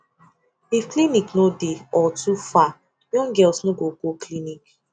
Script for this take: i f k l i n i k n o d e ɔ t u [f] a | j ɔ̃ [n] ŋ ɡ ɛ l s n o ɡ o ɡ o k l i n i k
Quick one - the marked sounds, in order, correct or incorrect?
correct, incorrect: none

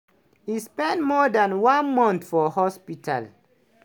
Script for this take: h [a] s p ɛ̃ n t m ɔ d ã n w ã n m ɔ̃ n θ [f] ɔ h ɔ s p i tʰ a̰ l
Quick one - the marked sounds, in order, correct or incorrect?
incorrect: i, correct

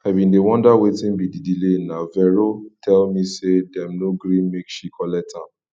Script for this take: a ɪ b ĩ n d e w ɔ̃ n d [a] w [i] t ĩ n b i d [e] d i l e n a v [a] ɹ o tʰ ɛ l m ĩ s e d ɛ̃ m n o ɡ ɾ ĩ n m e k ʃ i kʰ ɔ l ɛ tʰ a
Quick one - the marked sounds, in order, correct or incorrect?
correct, incorrect: e, incorrect: i, incorrect: ɛ

